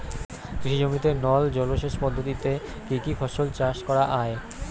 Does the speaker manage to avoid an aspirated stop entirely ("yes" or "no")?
yes